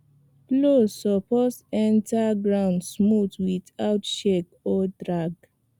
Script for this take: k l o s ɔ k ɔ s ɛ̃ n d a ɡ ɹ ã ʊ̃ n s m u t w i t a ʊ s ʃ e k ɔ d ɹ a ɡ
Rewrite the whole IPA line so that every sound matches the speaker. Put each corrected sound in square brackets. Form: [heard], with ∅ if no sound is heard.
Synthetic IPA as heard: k l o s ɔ [p] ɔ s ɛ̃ n [t] a ɡ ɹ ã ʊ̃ n s m u t w i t a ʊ [t] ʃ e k ɔ d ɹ a ɡ